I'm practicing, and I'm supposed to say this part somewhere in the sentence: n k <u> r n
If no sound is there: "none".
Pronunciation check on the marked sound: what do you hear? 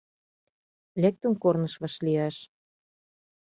o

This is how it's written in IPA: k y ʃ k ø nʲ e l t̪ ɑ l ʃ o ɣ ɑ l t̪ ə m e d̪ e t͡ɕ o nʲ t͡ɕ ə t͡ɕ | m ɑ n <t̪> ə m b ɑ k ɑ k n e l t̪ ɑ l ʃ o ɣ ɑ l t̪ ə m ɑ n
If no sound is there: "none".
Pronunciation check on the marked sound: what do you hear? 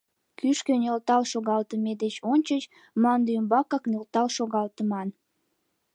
d̪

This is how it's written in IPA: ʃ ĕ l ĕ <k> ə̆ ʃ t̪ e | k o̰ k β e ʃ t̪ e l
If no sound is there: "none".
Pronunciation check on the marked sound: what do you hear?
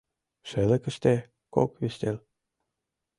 k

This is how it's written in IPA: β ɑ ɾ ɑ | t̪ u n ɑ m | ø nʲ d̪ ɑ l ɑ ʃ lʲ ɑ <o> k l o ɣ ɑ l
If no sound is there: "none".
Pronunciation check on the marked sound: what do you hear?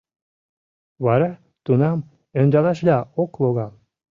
o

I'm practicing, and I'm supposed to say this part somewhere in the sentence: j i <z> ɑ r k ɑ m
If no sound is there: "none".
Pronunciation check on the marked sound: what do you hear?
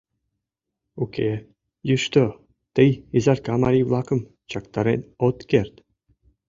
z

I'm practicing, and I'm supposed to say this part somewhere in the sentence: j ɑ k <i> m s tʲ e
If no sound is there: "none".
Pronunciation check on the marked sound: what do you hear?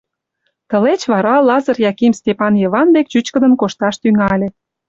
i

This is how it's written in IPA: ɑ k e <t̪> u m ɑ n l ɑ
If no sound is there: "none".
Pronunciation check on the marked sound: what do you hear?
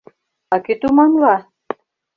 t̪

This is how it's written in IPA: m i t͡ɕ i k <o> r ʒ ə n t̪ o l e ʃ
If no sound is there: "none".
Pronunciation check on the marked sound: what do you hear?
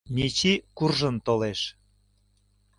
u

